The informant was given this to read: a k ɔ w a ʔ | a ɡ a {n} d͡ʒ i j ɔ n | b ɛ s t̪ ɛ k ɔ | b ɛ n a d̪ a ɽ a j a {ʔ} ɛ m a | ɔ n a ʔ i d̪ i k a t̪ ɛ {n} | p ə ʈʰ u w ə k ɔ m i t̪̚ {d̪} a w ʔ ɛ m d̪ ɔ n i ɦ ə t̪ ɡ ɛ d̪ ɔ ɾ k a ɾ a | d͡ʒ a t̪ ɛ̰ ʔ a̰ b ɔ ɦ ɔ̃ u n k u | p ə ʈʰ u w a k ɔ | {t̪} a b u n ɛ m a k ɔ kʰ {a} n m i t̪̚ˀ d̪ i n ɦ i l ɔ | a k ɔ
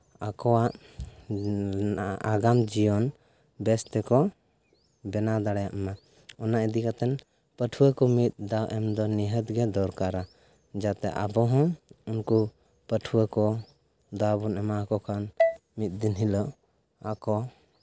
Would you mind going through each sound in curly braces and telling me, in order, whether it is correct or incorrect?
incorrect: m, correct, correct, correct, incorrect: d̪, correct

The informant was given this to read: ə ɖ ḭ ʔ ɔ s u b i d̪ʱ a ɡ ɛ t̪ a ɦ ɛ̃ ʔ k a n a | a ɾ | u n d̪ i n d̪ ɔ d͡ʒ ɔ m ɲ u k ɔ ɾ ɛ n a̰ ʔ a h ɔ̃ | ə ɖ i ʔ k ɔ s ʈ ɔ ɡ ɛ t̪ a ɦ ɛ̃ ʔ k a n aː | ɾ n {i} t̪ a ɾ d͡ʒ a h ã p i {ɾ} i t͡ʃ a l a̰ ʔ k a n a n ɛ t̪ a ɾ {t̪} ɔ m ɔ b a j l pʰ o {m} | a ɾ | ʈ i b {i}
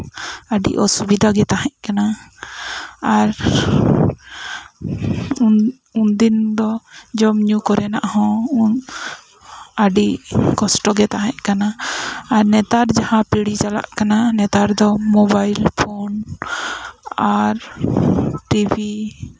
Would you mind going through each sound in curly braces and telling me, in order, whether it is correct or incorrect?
incorrect: ɛ, incorrect: ɽ, incorrect: d̪, incorrect: n, correct

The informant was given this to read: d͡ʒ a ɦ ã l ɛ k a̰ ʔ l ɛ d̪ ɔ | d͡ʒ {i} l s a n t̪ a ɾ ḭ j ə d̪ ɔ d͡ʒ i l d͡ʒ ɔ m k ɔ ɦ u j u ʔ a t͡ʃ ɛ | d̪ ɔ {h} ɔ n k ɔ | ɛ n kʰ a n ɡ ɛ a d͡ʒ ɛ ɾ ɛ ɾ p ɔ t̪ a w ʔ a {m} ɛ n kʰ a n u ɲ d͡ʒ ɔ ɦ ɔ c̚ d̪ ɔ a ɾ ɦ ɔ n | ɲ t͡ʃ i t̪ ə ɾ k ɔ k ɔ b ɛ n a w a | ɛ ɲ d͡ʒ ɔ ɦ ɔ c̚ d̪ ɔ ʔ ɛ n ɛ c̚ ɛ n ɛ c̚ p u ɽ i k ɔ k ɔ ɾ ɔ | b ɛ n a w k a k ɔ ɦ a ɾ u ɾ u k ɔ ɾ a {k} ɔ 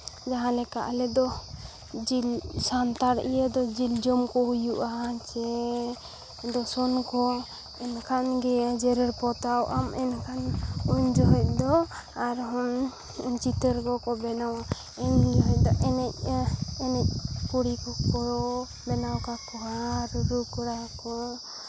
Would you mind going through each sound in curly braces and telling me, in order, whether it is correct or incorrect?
correct, incorrect: s, correct, correct

